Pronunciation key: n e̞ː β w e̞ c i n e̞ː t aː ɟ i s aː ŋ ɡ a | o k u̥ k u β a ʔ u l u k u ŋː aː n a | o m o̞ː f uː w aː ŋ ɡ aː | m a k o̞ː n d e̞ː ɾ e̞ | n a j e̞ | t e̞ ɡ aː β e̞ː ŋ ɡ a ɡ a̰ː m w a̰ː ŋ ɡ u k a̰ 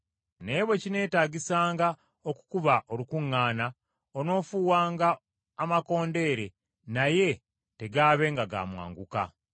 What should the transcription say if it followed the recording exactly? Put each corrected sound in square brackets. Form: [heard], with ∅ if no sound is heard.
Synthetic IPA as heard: n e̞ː β w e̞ c i n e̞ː t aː ɟ i s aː ŋ ɡ a | o k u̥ k u β a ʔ [o] l u k u ŋː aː n a | o [n] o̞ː f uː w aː ŋ ɡ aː | m a k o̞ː n d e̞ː ɾ e̞ | n a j e̞ | t e̞ ɡ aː β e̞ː ŋ ɡ a ɡ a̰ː m w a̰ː ŋ ɡ u k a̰